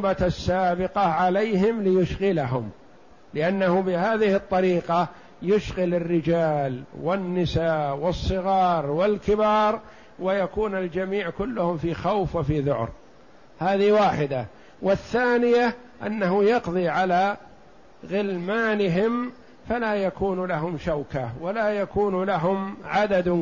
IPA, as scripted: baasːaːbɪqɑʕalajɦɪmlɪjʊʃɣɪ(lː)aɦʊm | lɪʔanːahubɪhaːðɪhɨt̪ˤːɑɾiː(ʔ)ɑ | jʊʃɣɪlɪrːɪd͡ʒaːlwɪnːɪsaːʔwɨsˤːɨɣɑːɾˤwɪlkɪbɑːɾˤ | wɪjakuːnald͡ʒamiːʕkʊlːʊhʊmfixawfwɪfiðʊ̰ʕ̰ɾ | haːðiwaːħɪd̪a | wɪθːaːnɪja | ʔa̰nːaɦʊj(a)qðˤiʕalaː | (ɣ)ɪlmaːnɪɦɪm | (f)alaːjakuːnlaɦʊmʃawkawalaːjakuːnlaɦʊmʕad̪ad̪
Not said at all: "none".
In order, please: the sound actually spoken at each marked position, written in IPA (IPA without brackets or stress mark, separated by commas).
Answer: l, q, ɑ, ɣ, f